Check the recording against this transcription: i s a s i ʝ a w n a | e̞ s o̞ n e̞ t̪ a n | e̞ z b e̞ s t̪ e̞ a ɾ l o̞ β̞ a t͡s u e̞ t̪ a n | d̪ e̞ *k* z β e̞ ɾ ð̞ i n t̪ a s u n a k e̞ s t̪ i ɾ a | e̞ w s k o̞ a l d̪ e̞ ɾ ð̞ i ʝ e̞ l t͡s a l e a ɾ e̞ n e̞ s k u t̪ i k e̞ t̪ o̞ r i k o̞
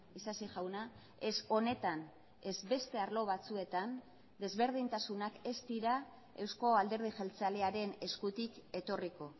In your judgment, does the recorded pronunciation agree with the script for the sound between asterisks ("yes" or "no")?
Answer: no